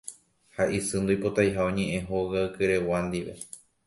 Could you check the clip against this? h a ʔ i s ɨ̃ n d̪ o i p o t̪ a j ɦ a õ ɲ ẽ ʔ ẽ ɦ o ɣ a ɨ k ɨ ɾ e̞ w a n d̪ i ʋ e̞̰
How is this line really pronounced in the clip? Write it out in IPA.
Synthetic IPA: h a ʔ i s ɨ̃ n d̪ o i p o t̪ a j ɦ a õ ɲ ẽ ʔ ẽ ɦ o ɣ a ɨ k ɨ ɾ e̞ w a n d̪ i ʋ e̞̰